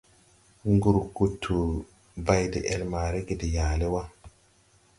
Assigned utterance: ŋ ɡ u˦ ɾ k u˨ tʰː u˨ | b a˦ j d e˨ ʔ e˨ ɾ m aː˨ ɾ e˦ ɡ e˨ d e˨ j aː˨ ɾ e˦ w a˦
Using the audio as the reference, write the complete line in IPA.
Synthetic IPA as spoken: ŋ ɡ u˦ ɾ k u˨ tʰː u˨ | b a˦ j d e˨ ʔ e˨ l m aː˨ ɾ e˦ ɡ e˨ d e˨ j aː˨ l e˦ w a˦